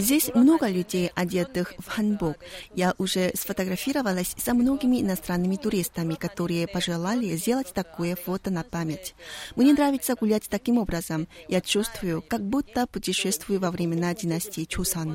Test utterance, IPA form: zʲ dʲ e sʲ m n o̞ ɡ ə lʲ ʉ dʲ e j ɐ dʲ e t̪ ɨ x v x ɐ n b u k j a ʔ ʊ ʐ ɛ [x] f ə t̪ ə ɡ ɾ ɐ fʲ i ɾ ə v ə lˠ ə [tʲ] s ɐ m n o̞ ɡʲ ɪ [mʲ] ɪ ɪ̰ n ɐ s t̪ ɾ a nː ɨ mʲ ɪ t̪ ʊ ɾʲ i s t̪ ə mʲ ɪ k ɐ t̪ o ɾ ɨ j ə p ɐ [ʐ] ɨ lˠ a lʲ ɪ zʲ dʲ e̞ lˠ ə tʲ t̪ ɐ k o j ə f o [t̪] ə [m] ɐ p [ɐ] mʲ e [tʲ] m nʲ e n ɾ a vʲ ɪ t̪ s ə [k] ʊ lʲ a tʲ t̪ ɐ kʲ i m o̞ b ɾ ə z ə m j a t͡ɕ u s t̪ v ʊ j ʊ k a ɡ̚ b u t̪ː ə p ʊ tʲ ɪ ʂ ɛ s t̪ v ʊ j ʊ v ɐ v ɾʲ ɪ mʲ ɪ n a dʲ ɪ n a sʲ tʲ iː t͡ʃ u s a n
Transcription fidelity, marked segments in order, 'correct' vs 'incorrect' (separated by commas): incorrect, incorrect, correct, correct, correct, incorrect, incorrect, correct, incorrect